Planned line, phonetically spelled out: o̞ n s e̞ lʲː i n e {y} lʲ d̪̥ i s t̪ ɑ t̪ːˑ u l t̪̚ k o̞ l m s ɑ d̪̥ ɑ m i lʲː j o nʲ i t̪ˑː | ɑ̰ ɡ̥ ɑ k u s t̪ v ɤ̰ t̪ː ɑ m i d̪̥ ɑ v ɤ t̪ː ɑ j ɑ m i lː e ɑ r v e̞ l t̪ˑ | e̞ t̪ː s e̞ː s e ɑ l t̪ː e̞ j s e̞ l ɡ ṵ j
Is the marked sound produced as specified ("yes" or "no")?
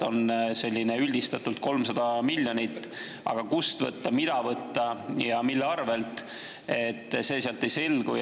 yes